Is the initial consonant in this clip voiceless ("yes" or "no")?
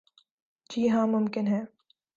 no